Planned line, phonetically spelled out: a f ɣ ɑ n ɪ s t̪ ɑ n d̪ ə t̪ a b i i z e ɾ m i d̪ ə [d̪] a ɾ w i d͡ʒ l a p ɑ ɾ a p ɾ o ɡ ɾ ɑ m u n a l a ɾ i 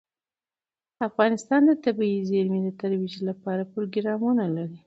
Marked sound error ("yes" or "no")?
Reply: yes